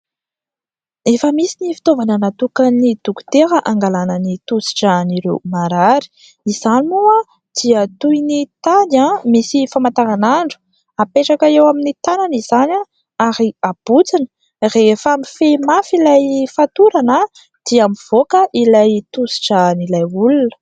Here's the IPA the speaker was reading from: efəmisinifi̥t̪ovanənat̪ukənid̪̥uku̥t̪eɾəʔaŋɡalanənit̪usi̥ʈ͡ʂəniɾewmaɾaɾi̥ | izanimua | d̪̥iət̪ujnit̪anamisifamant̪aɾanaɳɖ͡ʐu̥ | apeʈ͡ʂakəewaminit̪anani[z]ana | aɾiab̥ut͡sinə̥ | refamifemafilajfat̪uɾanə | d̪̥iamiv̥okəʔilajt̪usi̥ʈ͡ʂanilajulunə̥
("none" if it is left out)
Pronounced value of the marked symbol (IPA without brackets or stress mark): z